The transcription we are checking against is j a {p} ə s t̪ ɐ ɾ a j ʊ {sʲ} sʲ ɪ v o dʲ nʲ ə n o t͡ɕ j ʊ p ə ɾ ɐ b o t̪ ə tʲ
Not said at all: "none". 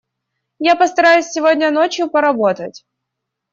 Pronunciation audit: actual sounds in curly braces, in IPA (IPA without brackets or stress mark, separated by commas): p, sʲ